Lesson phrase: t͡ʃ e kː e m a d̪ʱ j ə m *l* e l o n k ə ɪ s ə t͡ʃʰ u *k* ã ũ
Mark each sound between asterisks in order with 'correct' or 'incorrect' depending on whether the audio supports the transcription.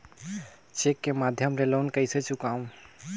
incorrect: ɾ, correct

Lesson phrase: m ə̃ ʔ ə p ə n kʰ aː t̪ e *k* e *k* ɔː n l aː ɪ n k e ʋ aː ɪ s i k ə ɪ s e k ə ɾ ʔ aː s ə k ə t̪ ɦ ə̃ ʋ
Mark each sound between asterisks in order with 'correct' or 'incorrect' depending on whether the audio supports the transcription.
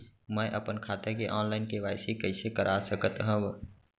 correct, incorrect: ʔ

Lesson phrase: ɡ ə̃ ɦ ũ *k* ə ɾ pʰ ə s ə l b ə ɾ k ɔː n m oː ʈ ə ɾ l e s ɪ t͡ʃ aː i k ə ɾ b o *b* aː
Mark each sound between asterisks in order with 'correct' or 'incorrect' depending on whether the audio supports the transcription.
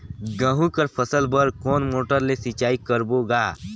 correct, incorrect: ɡ

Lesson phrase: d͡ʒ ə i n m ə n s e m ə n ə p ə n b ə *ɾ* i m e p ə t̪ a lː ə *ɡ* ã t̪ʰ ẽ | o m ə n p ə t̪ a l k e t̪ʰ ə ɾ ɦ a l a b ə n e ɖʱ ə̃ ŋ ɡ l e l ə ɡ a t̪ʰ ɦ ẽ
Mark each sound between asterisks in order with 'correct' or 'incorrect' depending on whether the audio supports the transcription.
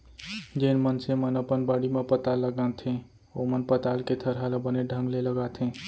incorrect: ɽ, correct

